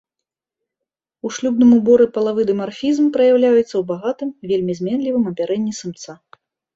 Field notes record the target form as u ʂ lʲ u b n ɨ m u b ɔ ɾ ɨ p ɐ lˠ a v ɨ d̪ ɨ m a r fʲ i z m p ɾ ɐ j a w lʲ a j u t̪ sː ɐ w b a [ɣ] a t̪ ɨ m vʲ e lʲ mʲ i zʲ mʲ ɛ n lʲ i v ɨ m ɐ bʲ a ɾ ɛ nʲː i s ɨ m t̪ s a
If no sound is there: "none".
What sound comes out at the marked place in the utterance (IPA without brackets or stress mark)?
ɣ